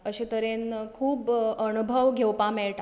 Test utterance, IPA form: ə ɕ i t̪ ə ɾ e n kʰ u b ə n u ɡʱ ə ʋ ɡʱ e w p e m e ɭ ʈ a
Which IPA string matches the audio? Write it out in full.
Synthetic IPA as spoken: ə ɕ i t̪ ə ɾ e n kʰ uː b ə n u bʱ ə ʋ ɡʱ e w p a m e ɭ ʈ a